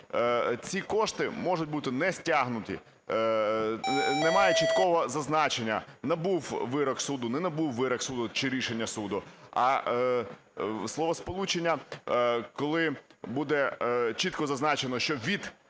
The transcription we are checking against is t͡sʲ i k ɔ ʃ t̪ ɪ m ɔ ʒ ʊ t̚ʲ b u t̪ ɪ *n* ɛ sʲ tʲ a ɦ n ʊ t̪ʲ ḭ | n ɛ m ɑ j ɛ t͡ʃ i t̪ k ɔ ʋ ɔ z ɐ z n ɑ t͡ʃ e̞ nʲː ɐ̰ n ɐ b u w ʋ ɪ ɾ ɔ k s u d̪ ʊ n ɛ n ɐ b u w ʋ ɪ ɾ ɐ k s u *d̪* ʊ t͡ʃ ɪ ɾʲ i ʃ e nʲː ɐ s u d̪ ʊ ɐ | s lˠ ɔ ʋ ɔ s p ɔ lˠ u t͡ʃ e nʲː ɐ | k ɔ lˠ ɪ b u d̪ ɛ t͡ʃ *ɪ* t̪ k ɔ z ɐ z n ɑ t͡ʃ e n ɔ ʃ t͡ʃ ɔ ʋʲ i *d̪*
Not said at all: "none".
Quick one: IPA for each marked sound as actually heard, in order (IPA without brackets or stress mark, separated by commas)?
n, d̪, i, d̪